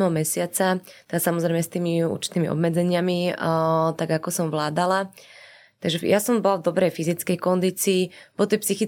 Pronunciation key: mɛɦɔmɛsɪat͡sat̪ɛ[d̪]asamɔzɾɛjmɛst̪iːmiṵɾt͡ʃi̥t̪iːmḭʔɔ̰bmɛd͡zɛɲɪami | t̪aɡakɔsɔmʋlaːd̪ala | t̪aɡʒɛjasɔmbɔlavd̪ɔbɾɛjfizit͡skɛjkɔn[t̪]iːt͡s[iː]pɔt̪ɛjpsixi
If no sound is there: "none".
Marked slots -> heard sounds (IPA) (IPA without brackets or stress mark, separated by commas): d̪, d̪, iː